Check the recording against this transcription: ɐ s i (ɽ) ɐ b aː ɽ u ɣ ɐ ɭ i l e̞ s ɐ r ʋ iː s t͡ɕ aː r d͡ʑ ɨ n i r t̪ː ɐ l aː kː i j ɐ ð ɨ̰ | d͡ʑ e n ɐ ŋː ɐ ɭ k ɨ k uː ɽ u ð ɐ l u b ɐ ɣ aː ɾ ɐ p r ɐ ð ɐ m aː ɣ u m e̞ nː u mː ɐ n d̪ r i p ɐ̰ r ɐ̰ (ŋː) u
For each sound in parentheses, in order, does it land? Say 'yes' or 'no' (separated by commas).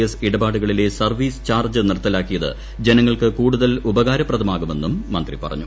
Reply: yes, no